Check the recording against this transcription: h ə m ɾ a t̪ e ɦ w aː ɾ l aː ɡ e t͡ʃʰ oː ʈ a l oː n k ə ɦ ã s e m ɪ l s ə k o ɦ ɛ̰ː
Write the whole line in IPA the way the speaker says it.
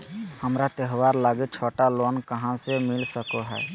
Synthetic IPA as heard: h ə m ɾ a t̪ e ɦ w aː ɾ l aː ɡ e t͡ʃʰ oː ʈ a l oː n k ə ɦ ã s e m ɪ l s ə k o ɦ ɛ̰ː

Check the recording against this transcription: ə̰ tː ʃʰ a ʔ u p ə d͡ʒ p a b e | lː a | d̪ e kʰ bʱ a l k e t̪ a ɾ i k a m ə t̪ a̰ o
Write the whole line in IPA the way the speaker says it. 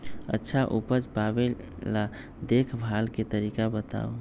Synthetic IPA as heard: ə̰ tː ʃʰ a ʔ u p ə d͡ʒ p a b e | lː a | d̪ e kʰ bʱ a l k e t̪ ə ɾ i k a b ə t̪ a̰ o

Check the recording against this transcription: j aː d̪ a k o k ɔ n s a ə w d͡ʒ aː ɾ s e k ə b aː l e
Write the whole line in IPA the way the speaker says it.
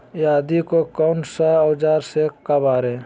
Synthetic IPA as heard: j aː d̪ i k o k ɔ n s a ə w d͡ʒ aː ɾ s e k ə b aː ɾ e

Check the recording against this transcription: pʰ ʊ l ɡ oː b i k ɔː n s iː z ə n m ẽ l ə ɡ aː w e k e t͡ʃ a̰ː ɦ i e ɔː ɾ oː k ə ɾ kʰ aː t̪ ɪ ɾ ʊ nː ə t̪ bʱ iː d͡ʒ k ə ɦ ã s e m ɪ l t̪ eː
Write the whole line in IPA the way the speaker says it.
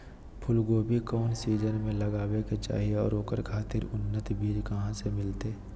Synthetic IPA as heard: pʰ ʊ l ɡ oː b i k ɔː n s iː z ə n m ẽ l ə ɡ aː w e k e t͡ʃ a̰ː ɦ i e ɔː ɾ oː k ə ɾ kʰ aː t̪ ɪ ɾ ʊ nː ə t̪ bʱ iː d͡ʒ k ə ɦ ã s e m ɪ l t̪ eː

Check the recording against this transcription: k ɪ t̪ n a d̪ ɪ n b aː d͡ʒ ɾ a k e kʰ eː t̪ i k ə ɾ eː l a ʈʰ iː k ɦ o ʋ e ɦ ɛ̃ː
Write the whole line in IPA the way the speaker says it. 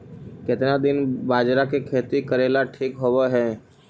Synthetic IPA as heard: k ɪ t̪ n a d̪ ɪ n b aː d͡ʒ ɾ a k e kʰ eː t̪ i k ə ɾ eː l a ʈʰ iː k ɦ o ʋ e ɦ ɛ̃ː

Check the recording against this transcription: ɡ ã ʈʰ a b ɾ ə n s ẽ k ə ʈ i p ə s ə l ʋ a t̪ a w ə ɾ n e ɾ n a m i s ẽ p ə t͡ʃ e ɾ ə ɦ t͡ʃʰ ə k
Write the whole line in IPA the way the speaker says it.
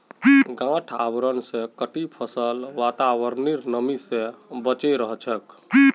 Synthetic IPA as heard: ɡ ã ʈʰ a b ɾ ə n s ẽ k ə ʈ i pʰ ə s ə l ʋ a t̪ a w ə ɾ n i ɾ n ə m i s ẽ b ə t͡ʃ e ɾ ə ɦ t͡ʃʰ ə k

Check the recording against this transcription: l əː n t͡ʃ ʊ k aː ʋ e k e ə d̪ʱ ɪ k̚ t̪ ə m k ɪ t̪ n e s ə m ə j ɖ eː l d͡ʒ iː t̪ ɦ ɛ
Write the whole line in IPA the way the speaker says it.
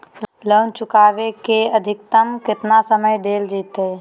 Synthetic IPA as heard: l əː n t͡ʃ ʊ k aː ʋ e k e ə d̪ʱ ɪ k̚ t̪ ə m k ɪ t̪ n a s ə m ə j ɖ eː l d͡ʒ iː t̪ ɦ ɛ

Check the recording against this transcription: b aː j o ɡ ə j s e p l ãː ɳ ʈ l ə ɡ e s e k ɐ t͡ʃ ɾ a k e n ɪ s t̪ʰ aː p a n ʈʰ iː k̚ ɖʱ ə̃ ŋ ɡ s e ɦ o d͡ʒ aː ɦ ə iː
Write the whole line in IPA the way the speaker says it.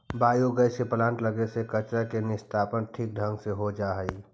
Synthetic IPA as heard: b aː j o ɡ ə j s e p l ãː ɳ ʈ l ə ɡ e s e k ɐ t͡ʃ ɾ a k e n ɪ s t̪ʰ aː p ə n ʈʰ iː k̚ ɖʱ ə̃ ŋ ɡ s e ɦ o d͡ʒ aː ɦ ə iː

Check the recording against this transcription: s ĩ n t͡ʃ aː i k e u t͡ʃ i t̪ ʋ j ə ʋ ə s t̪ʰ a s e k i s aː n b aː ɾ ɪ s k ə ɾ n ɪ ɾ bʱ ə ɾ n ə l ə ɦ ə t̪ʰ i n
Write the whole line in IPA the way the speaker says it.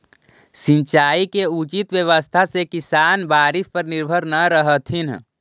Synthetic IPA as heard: s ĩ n t͡ʃ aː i k e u t͡ʃ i t̪ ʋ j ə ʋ ə s t̪ʰ a s e k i s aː n b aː ɾ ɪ s p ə ɾ n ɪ ɾ bʱ ə ɾ n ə ɾ ə ɦ ə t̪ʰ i n

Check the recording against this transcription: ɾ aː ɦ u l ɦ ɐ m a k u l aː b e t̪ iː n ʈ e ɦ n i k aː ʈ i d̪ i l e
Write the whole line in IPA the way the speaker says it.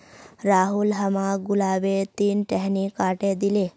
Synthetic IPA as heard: ɾ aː ɦ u l ɦ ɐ m a ɡ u l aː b e t̪ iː n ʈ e ɦ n i k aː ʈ e d̪ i l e

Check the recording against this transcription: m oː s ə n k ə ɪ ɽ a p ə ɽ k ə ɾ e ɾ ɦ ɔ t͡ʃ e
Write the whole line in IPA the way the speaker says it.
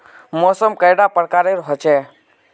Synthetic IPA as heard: m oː s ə m k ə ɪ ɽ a p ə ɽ k a ɾ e ɾ ɦ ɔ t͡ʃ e

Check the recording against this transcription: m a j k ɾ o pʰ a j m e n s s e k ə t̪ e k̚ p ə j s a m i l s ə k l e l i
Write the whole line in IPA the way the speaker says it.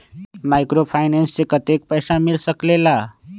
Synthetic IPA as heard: m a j k ɾ o pʰ a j n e n s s e k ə t̪ e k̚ p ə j s a m i l s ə k l e l a

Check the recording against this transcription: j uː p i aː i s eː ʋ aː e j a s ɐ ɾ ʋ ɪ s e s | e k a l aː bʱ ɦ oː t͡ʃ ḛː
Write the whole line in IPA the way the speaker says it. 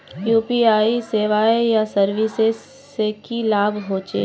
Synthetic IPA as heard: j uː p i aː i s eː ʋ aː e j a s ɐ ɾ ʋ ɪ s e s | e k i l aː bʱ ɦ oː t͡ʃ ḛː

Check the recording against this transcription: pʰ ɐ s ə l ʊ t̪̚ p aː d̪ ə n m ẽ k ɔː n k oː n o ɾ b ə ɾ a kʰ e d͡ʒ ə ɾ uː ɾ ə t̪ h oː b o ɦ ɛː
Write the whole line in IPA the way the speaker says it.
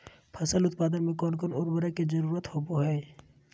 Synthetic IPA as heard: pʰ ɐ s ə l ʊ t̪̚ p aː d̪ ə n m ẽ k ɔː n k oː n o ɾ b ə ɾ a k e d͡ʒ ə ɾ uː ɾ ə t̪ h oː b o ɦ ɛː

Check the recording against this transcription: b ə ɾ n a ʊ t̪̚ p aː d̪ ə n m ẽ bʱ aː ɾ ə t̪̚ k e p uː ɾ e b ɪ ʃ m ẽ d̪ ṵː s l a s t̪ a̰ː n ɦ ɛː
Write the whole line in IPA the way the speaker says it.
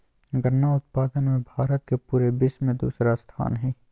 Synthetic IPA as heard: ɡ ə ɾ n a ʊ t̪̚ p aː d̪ ə n m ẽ bʱ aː ɾ ə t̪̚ k e p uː ɾ e b ɪ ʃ m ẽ d̪ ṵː s ɾ a s t̪ʰ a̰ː n ɦ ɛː

